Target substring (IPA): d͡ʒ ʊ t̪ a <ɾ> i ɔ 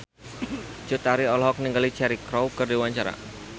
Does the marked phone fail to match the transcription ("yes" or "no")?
no